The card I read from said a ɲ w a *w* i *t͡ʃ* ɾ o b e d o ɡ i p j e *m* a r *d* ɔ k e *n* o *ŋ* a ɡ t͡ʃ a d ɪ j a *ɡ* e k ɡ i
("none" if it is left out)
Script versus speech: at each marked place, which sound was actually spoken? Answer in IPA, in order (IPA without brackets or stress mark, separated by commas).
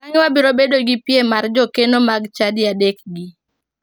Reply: b, none, m, d͡ʒ, n, m, d